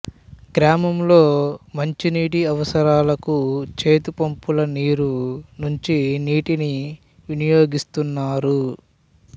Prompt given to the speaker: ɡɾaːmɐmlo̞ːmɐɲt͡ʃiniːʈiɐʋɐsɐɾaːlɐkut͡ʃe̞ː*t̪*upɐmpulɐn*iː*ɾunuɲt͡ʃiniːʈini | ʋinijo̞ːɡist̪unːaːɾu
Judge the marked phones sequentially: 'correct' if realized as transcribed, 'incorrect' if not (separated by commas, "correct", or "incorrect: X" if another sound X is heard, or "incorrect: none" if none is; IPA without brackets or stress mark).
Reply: correct, correct